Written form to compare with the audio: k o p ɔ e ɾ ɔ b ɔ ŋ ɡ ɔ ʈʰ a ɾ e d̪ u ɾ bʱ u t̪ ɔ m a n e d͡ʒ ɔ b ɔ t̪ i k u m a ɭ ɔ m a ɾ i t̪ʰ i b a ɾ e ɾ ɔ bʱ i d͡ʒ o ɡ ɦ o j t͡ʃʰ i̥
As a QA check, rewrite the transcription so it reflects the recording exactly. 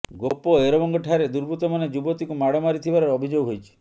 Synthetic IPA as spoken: ɡ o p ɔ e ɾ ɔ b ɔ ŋ ɡ ɔ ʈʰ a ɾ e d̪ u ɾ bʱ u t̪ ɔ m a n e d͡ʒ u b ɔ t̪ i k u m a ɽ ɔ m a ɾ i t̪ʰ i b a ɾ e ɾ ɔ bʱ i d͡ʒ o ɡ ɦ o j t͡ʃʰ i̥